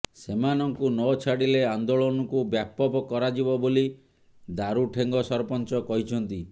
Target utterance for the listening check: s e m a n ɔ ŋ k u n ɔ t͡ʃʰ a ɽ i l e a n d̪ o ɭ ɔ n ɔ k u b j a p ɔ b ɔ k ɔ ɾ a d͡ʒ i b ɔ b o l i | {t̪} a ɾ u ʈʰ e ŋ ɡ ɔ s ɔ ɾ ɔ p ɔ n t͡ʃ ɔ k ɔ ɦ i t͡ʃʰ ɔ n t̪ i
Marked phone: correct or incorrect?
incorrect